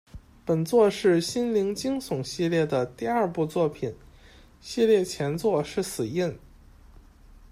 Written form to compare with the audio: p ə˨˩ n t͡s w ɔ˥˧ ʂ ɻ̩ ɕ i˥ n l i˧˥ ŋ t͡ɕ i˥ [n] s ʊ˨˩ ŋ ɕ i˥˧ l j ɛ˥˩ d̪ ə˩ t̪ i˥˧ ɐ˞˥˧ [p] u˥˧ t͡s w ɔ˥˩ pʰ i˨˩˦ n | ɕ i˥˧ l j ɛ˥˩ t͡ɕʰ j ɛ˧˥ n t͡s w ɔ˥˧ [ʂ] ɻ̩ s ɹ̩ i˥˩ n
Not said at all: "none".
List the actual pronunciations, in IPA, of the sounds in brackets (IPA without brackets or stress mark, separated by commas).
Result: ŋ, p, ʂ